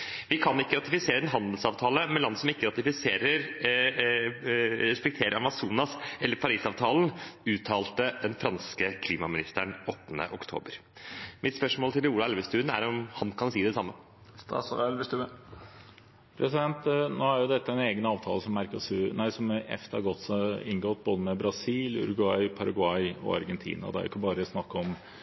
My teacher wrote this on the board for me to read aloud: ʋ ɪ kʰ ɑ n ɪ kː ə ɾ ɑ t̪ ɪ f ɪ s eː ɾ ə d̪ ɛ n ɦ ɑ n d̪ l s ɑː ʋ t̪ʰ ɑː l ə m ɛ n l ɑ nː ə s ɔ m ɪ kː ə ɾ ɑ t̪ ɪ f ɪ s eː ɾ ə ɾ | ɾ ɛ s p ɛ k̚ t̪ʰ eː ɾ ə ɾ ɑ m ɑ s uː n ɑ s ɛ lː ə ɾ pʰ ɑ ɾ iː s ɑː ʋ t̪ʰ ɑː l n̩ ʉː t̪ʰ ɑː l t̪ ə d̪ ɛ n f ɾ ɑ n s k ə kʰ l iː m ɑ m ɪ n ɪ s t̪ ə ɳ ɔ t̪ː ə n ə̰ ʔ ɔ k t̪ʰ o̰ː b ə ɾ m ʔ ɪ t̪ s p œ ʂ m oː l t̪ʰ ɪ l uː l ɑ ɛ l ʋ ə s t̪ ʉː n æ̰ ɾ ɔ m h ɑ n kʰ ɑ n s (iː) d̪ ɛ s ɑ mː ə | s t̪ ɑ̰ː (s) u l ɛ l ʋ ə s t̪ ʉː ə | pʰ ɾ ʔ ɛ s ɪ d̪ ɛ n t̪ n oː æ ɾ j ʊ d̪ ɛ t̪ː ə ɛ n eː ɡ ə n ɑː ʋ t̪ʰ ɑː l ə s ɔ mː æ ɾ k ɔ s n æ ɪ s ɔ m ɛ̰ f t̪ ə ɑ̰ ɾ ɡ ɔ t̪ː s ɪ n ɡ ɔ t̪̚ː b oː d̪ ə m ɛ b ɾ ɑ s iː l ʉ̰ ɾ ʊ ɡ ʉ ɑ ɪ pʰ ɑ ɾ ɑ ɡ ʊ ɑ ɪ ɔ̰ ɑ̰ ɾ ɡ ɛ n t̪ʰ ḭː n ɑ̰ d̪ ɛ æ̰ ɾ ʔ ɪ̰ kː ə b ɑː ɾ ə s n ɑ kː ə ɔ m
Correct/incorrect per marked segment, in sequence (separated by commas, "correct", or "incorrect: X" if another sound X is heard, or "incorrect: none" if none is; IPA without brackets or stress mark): correct, correct